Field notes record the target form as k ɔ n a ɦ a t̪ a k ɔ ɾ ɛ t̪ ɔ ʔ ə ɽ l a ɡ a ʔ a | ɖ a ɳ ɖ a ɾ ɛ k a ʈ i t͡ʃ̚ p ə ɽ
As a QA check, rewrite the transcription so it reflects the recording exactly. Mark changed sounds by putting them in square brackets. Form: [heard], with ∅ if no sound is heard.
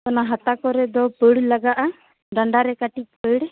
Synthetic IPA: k ɔ n a ɦ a t̪ a k ɔ ɾ ɛ [d̪] ɔ [p] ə ɽ l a ɡ a ʔ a | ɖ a ɳ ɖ a ɾ ɛ k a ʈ i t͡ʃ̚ p ə ɽ

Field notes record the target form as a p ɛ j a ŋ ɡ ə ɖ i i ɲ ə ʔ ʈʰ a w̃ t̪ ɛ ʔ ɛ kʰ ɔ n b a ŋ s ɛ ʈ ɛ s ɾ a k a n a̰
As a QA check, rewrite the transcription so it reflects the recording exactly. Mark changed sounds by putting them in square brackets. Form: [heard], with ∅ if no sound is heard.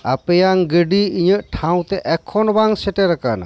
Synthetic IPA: a p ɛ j a ŋ ɡ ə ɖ i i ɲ ə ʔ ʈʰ a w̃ t̪ ɛ ʔ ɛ kʰ ɔ n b a ŋ s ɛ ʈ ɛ [∅] ɾ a k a n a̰

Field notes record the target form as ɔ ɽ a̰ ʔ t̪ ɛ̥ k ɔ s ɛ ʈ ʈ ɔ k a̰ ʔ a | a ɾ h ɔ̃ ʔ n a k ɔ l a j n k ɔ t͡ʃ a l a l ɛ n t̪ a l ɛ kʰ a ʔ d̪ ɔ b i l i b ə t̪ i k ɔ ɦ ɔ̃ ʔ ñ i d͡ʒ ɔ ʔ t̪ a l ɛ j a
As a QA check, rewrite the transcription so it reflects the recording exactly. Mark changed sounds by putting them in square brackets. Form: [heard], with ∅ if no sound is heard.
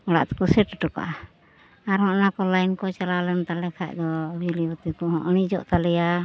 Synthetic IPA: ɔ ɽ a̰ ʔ t̪ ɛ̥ k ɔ s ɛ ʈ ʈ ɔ k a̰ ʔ a | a ɾ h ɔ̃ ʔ n a k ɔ l a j n k ɔ t͡ʃ a l a l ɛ n t̪ a l ɛ kʰ a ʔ d̪ ɔ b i l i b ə t̪ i k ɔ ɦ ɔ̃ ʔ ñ i d͡ʒ ɔ ʔ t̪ a l ɛ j a

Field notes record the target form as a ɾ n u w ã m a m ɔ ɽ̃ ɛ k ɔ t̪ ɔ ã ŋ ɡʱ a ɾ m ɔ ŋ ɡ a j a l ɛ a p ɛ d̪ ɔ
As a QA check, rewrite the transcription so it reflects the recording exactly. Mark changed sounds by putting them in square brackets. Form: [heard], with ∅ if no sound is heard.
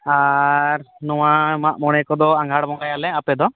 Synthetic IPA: a ɾ n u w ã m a m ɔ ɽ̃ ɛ k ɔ [d̪] ɔ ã ŋ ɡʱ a [ɽ] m ɔ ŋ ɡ a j a l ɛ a p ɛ d̪ ɔ

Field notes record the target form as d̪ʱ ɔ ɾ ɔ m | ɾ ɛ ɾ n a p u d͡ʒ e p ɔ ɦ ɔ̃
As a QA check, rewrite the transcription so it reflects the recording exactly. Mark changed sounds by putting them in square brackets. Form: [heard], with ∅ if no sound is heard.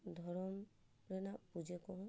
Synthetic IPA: d̪ʱ ɔ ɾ ɔ m | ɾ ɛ [∅] n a p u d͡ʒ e [k] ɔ ɦ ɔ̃

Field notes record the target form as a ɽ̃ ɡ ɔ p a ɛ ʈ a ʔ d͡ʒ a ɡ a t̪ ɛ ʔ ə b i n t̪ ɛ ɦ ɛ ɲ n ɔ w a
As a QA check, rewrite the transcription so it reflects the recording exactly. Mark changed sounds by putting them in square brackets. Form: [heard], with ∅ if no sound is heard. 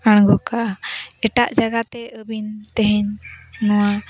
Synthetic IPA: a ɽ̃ ɡ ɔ [k] a ɛ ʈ a ʔ d͡ʒ a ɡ a t̪ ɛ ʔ ə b i n t̪ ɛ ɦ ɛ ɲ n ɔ w a

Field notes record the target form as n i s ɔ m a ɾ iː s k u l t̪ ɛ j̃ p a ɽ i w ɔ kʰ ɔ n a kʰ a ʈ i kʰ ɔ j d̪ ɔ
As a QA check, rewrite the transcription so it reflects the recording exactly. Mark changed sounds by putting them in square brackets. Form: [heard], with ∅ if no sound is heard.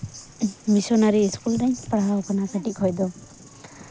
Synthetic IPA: [m] i s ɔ [n] a ɾ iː s k u l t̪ [a] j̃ p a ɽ [a] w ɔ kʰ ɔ n a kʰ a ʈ i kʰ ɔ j d̪ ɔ

